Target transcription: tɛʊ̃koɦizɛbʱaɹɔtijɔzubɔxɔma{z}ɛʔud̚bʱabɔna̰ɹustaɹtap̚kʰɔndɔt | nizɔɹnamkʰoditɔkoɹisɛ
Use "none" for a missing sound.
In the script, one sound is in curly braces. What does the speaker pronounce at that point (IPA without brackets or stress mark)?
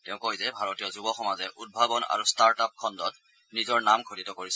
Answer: z